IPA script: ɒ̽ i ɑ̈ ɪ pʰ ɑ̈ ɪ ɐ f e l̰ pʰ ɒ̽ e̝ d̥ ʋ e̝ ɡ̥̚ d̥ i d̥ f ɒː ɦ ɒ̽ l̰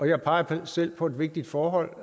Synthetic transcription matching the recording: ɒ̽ j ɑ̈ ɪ pʰ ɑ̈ ɪ ɐ s e l̰ pʰ ɒ̽ e̝ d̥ ʋ e̝ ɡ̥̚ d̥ i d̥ f ɒː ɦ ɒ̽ l̰